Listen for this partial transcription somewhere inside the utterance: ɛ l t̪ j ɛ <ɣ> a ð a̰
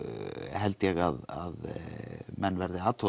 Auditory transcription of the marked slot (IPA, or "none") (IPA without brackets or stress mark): ɣ